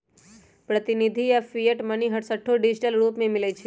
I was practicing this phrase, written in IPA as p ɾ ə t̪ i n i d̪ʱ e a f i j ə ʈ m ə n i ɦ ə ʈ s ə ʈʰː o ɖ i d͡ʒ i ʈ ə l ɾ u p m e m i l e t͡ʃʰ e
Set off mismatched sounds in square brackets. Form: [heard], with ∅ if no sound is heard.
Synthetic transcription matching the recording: p ɾ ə t̪ i n i d̪ʱ [i] a f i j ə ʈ m ə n i ɦ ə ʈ s ə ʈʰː o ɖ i d͡ʒ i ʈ ə l ɾ u p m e m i l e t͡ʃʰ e